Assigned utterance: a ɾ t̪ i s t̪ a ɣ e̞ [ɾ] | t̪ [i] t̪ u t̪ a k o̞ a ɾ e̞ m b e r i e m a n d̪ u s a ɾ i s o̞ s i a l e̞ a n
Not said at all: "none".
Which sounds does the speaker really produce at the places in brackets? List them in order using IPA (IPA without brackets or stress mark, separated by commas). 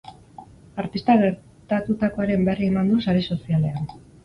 ɾ, a